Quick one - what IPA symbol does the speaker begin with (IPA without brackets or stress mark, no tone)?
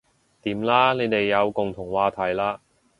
t̪